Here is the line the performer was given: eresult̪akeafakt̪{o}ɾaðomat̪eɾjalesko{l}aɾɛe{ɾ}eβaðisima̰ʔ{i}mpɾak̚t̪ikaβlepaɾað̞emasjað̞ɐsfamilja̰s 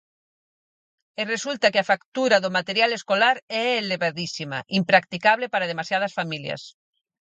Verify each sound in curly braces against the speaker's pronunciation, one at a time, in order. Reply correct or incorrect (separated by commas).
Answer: incorrect, correct, incorrect, correct